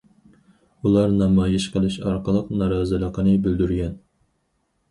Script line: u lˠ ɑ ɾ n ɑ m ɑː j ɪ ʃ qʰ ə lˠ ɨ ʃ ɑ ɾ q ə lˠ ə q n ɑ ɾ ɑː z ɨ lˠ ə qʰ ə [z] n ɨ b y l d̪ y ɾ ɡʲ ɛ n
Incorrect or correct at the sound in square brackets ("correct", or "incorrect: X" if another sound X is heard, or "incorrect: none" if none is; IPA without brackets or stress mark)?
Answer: incorrect: none